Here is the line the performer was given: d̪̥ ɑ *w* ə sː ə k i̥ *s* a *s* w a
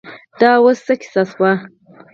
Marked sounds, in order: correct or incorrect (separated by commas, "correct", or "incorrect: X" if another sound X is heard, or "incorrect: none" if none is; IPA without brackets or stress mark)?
correct, correct, correct